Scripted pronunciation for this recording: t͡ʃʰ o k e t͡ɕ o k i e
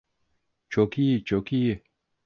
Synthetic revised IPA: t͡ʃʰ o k i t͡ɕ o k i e